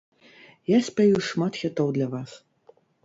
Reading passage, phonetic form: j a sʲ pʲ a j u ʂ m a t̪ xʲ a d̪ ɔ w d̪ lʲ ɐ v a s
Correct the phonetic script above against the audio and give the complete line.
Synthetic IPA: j a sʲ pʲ a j u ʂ m a t̪ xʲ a t̪ ɔ w d̪ lʲ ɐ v a s

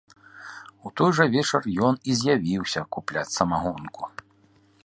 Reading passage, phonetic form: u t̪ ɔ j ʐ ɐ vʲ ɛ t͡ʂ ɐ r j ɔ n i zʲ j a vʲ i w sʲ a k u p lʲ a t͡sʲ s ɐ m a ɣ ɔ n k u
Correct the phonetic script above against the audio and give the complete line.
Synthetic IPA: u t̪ ɔ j ʐ ɐ vʲ ɛ t͡ʂ ɐ r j ɔ n i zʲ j a vʲ i w sʲ ɐ k u p lʲ a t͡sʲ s ɐ m a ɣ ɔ n k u

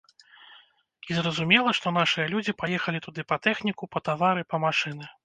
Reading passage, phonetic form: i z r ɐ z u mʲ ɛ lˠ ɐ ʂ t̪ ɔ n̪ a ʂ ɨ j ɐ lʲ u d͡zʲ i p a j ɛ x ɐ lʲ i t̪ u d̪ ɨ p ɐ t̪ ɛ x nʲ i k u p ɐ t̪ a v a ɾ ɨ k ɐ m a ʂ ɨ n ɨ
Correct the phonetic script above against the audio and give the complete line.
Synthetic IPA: i z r ɐ z u mʲ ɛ lˠ ɐ ʂ t̪ ɔ n̪ a ʂ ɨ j ɐ lʲ u d͡zʲ i p a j ɛ x ɐ lʲ i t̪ u d̪ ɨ p ɐ t̪ ɛ x nʲ i k u p ɐ t̪ a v a ɾ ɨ p ɐ m a ʂ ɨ n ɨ

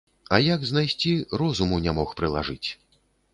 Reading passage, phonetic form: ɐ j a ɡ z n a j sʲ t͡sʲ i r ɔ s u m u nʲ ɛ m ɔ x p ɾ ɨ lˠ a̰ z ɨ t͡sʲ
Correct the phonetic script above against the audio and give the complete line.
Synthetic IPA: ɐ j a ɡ z n a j sʲ t͡sʲ i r ɔ z u m u nʲ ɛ m ɔ x p ɾ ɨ lˠ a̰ ʐ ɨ t͡sʲ

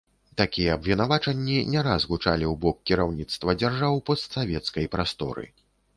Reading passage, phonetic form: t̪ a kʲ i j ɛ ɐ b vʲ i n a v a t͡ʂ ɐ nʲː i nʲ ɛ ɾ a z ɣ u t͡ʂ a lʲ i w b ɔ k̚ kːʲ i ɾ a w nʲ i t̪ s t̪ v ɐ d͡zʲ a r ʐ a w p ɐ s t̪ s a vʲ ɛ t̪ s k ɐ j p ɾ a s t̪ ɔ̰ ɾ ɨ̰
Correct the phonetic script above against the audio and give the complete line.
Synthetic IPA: t̪ a kʲ i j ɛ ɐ b vʲ i n a v a t͡ʂ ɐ nʲː i nʲ ɛ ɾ a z ɣ u t͡ʂ a lʲ i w b ɔ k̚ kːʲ i ɾ a w nʲ i t̪ s t̪ v ɐ d͡zʲ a r ʐ a w p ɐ s t̪ s a vʲ ɛ t̪ s k ɐ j p ɾ a s t̪ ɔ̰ ɾ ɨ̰

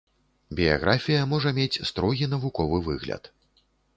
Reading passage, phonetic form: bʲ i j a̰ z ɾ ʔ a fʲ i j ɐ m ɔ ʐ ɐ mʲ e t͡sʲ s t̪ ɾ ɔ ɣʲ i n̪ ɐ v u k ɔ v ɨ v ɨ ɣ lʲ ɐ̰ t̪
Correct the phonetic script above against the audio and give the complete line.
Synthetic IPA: bʲ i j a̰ ɣ ɾ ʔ a fʲ i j ɐ m ɔ ʐ ɐ mʲ e t͡sʲ s t̪ ɾ ɔ ɣʲ i n̪ ɐ v u k ɔ v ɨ v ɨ ɣ lʲ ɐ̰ t̪

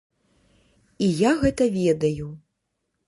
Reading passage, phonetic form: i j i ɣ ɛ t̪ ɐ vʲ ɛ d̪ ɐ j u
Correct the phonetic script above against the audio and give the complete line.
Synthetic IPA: i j a ɣ ɛ t̪ ɐ vʲ ɛ d̪ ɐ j u

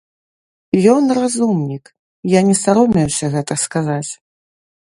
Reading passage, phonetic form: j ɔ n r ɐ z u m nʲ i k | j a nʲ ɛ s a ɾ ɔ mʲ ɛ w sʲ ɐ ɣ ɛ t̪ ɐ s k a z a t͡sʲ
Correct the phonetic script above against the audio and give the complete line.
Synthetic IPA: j ɔ n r a z u m nʲ i k | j a nʲ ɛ s a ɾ ɔ mʲ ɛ w sʲ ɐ ɣ ɛ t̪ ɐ s k a z a t͡sʲ

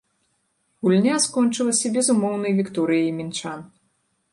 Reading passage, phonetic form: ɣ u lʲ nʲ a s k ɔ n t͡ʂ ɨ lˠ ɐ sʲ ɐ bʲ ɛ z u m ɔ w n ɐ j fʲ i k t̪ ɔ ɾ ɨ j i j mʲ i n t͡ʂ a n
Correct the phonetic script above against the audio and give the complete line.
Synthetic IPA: ɣ u lʲ nʲ a s k ɔ n t͡ʂ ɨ lˠ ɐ sʲ ɐ bʲ ɛ z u m ɔ w n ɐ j vʲ i k t̪ ɔ ɾ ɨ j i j mʲ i n t͡ʂ a n

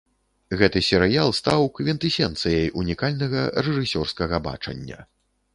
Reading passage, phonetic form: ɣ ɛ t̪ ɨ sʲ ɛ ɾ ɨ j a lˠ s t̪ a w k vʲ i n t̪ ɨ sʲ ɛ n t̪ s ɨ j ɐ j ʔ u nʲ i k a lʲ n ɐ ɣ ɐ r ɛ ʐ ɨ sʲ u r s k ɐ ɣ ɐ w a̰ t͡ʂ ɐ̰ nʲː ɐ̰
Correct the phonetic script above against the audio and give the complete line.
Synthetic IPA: ɣ ɛ t̪ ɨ sʲ ɛ ɾ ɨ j a lˠ s t̪ a w k vʲ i n t̪ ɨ sʲ ɛ n t̪ s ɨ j ɐ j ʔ u nʲ i k a lʲ n ɐ ɣ ɐ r ɛ ʐ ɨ sʲ ɔ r s k ɐ ɣ ɐ b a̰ t͡ʂ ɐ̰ nʲː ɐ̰

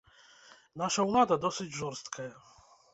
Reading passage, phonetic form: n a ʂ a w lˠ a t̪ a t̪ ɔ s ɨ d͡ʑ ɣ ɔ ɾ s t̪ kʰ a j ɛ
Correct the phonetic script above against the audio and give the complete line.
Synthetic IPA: n a ʂ a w lˠ a d̪ a d̪ ɔ s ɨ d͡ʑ ʐ ɔ ɾ s t̪ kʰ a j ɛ

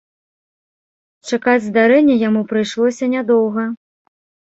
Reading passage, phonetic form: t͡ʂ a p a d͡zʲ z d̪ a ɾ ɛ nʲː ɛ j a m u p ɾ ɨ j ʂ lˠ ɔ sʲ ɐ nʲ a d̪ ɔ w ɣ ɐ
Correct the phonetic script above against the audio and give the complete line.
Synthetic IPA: t͡ʂ a k a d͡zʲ z d̪ a ɾ ɛ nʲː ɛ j a m u p ɾ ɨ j ʂ lˠ ɔ sʲ ɐ nʲ a d̪ ɔ w ɣ ɐ

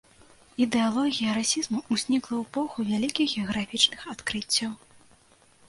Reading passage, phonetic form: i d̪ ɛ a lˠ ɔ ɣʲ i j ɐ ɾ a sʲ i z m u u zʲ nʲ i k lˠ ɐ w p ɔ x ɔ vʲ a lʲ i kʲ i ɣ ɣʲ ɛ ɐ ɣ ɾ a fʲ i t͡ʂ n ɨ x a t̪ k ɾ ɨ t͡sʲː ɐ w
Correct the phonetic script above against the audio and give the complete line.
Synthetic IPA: i d̪ ɛ a lˠ ɔ ɣʲ i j ɐ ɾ a sʲ i z m u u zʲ nʲ i k lˠ ɐ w p ɔ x u vʲ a lʲ i kʲ i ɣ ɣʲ ɛ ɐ ɣ ɾ a fʲ i t͡ʂ n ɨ x a t̪ k ɾ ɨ t͡sʲː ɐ w

